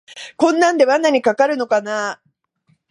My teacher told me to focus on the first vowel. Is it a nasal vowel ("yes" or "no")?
yes